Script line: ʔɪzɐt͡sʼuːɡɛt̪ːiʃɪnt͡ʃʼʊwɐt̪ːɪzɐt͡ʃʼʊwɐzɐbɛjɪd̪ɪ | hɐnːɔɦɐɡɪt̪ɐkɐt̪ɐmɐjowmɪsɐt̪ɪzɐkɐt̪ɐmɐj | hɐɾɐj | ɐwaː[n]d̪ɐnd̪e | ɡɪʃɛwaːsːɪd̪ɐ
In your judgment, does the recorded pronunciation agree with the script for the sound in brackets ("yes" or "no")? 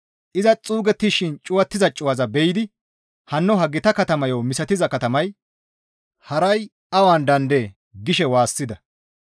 yes